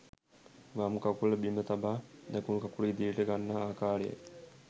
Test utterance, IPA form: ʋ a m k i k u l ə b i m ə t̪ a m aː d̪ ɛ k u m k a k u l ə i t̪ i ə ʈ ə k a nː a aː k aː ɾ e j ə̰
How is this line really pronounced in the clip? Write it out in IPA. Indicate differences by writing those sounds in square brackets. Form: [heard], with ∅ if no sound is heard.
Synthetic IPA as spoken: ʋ a m k [a] k u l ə b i m ə t̪ a [b] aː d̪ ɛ k u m k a k u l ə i [d̪] i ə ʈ ə [ɡ] a nː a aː k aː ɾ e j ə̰